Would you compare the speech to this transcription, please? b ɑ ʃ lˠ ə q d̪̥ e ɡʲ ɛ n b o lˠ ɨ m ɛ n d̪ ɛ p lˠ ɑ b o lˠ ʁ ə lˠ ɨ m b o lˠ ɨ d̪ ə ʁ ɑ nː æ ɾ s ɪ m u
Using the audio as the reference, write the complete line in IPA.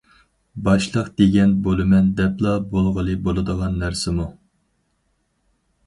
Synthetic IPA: b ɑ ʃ lˠ ə q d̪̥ e ɡʲ ɛ n b o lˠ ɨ m ɛ n d̪ ɛ p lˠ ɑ b o lˠ ʁ ə lˠ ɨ b o lˠ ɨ d̪ ə ʁ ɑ nː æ ɾ s ɪ m u

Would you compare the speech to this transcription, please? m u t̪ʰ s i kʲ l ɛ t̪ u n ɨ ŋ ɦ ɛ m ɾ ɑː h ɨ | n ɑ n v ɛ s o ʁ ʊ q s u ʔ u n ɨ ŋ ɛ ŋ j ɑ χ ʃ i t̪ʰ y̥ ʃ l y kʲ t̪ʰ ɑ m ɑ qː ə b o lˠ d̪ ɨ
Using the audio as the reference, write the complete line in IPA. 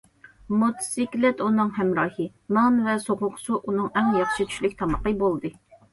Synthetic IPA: m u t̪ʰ s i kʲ l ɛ t̪ u n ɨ ŋ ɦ ɛ m ɾ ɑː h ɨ | n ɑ n v ɛ s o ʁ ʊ q s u ʔ u n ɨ ŋ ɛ ŋ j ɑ χ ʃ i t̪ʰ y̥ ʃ l y kʲ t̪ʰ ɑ m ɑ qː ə b o lˠ d̪ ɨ

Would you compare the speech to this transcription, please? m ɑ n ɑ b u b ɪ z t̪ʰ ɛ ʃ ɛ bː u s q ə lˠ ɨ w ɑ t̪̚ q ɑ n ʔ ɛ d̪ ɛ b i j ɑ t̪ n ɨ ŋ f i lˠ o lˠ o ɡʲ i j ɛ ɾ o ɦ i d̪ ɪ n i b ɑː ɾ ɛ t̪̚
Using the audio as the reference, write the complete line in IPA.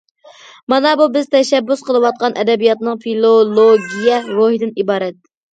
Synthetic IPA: m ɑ n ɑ b u b ɪ z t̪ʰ ɛ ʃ ɛ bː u s q ə lˠ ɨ w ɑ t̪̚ q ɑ n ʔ ɛ d̪ ɛ b i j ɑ t̪ n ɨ ŋ f i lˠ o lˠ o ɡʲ i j ɛ ɾ o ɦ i d̪ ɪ n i b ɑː ɾ ɛ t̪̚

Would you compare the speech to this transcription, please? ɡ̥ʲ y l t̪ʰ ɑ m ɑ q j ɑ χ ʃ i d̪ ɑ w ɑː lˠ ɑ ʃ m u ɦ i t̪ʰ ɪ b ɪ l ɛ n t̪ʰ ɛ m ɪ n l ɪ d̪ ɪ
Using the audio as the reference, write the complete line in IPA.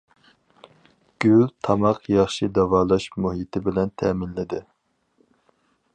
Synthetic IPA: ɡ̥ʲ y l t̪ʰ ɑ m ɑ q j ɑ χ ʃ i d̪ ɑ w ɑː lˠ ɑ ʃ m u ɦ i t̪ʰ ɪ b ɪ l ɛ n t̪ʰ ɛ m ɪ n l ɪ d̪ ɪ

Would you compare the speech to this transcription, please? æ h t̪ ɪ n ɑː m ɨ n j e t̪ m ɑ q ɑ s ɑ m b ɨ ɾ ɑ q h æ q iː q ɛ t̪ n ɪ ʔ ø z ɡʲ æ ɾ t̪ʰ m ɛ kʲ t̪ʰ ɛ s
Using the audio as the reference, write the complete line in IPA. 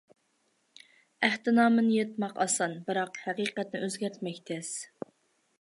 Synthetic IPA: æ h t̪ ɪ n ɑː m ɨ n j e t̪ m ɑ q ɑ s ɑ n b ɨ ɾ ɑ q h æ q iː q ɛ t̪ n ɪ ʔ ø z ɡʲ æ ɾ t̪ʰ m ɛ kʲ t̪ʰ ɛ s

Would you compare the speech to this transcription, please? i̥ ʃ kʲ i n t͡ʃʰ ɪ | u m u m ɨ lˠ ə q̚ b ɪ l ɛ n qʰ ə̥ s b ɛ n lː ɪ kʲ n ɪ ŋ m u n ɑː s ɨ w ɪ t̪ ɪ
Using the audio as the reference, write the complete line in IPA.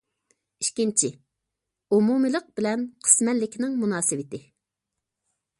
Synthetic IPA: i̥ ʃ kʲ i n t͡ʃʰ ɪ | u m u m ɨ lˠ ə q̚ b ɪ l ɛ n qʰ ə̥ s m ɛ n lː ɪ kʲ n ɪ ŋ m u n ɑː s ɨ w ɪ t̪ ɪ

